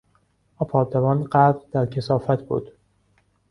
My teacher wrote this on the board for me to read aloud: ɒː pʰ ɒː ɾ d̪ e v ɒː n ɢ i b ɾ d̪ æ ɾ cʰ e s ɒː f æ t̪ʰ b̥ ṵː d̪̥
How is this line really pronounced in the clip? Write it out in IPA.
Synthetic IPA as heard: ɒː pʰ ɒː ɾ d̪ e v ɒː n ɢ æ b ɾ d̪ æ ɾ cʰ e s ɒː f æ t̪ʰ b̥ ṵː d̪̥